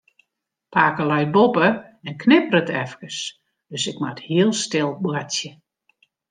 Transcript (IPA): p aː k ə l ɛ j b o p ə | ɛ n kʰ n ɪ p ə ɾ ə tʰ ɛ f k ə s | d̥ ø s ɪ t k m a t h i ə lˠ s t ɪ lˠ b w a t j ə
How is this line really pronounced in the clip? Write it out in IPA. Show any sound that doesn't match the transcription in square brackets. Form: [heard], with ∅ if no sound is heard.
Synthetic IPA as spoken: p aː k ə l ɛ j b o p ə | ɛ n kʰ n ɪ p ə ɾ ə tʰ ɛ f k ə s | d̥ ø s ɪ [∅] k m a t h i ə lˠ s t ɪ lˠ b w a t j ə